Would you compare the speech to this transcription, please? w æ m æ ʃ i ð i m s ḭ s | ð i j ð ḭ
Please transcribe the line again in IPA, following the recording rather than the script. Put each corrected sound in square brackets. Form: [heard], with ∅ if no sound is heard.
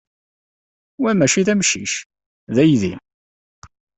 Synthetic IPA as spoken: w æ m æ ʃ i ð [æ] m [ʃ] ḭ [ʃ] | ð [æ] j ð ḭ